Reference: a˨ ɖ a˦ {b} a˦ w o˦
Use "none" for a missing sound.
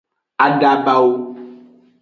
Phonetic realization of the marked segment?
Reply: b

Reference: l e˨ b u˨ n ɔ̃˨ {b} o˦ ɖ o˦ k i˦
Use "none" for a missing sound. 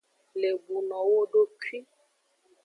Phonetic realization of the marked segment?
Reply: w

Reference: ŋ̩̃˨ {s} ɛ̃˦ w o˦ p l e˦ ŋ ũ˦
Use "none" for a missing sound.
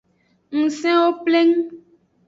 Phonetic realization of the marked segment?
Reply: s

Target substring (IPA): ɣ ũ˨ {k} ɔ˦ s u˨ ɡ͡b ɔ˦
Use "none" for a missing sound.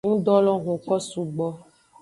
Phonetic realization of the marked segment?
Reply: k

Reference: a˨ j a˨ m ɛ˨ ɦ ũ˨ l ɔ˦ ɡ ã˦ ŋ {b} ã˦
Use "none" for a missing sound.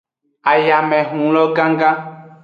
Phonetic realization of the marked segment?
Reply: ɡ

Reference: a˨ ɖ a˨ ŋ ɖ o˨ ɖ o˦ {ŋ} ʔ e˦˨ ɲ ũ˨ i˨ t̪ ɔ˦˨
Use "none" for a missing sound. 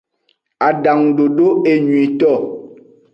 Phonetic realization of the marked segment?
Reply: none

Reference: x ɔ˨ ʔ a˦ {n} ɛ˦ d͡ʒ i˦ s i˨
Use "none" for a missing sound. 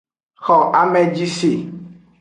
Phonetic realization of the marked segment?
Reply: m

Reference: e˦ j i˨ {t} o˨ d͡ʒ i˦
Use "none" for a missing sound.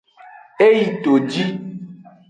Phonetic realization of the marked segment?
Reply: t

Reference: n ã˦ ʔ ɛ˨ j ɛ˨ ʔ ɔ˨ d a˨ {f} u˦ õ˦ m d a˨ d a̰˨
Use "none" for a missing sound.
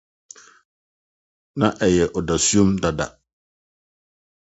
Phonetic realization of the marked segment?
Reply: s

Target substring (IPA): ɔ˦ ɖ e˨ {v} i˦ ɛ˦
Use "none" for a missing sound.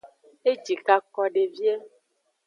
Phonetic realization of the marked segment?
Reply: v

